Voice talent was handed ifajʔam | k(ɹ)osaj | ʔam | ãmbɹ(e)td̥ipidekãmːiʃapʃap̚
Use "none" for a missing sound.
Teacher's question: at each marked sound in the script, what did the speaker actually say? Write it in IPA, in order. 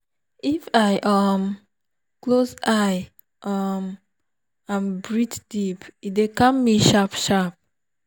l, i

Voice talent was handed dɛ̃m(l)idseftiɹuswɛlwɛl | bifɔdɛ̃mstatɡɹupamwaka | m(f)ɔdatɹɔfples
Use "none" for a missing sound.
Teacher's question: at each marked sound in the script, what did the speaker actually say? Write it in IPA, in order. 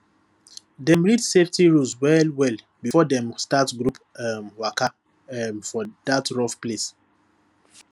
ɹ, f

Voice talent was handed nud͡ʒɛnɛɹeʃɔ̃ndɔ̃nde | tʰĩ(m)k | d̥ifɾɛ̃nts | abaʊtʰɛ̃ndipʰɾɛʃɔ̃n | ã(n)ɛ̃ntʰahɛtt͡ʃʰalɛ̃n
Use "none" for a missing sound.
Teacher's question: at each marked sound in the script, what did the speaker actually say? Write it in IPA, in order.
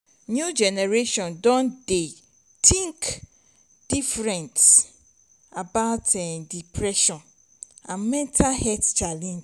ŋ, m

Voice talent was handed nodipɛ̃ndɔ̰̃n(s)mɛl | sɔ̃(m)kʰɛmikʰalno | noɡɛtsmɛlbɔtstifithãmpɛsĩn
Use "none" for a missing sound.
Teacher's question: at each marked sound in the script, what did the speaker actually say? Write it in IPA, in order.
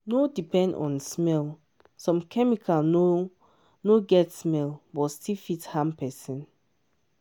s, m

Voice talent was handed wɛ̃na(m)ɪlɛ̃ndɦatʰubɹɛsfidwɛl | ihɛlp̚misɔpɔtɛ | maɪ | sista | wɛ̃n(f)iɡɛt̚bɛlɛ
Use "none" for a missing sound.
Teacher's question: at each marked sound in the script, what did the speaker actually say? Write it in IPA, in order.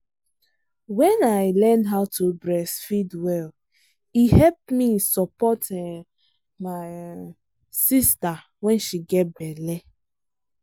none, ʃ

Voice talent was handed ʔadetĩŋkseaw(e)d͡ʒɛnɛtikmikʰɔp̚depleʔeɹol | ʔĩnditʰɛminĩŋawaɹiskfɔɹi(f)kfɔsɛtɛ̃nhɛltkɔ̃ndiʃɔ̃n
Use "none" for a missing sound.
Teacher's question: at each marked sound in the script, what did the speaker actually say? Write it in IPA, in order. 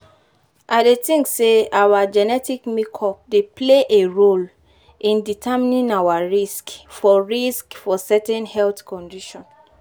a, s

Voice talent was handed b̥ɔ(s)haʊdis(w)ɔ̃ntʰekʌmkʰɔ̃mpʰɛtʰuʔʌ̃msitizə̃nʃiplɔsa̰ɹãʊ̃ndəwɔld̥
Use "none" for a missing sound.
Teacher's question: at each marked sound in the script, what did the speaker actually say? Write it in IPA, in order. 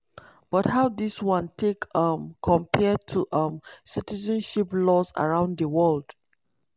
t, w

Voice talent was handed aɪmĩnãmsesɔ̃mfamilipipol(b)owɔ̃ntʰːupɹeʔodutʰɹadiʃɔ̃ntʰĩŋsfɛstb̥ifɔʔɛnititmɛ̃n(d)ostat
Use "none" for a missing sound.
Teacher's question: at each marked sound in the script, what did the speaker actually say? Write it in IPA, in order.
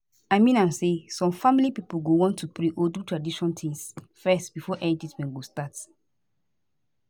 ɡ, ɡ

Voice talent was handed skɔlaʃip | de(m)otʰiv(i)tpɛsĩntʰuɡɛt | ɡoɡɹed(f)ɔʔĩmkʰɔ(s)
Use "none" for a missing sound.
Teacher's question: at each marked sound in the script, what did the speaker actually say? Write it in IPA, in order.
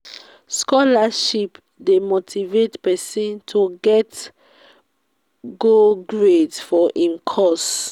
m, e, f, s

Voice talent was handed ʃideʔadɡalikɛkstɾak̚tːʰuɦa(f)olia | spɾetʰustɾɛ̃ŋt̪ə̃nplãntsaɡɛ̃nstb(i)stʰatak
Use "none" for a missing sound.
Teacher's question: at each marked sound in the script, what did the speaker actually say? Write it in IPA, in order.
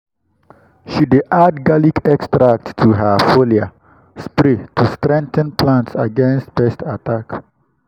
f, ɛ

